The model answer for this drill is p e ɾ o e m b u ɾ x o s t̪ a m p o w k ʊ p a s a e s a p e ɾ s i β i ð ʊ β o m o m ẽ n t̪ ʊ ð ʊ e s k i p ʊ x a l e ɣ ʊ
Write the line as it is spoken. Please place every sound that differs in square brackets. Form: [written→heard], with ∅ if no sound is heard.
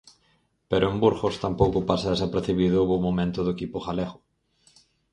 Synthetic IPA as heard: p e ɾ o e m b u ɾ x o s t̪ a m p o w k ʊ p a s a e s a p e ɾ [s→θ] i β i ð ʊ β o m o m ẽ n t̪ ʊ ð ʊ e [s→∅] k i p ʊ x a l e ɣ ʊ